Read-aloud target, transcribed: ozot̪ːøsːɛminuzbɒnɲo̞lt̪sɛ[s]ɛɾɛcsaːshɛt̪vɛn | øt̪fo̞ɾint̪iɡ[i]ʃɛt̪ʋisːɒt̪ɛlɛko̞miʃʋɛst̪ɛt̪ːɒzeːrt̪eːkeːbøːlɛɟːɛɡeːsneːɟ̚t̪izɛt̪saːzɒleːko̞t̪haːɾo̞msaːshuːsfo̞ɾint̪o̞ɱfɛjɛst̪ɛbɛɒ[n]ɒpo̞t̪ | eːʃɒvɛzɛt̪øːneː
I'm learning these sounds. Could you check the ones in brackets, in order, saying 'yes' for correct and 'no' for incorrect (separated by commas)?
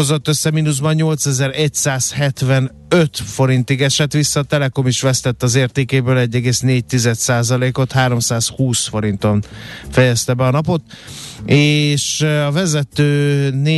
no, no, yes